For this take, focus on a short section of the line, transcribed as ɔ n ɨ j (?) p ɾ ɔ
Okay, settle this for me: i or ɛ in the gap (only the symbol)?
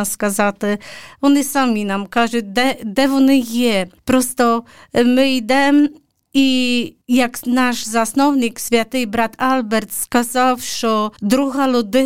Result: ɛ